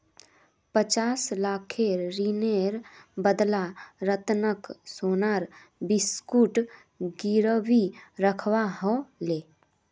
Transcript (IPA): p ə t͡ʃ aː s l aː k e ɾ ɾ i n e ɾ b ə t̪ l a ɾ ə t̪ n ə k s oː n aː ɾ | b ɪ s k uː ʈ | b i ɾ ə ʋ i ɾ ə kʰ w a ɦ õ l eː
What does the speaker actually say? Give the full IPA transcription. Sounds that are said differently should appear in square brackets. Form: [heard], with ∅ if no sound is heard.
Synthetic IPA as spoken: p ə t͡ʃ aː s l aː [kʰ] e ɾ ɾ i n e ɾ b ə [d̪] l a ɾ ə t̪ n ə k s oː n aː ɾ | b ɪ s k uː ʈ | [ɡ] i ɾ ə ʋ i ɾ ə kʰ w a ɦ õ l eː